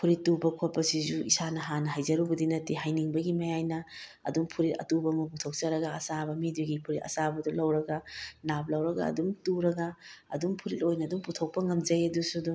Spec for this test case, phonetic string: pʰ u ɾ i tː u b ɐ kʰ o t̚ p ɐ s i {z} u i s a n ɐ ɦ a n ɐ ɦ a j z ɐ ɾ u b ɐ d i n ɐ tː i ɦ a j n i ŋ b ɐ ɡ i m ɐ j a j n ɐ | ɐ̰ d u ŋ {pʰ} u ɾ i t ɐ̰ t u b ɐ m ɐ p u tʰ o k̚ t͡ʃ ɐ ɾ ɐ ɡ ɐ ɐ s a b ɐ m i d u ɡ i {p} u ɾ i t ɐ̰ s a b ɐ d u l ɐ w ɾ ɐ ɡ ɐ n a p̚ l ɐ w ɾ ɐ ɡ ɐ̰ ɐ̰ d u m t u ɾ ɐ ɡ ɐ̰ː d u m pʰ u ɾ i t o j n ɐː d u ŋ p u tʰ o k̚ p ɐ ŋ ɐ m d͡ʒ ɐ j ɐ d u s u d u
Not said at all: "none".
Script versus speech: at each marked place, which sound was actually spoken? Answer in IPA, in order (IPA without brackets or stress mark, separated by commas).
z, pʰ, pʰ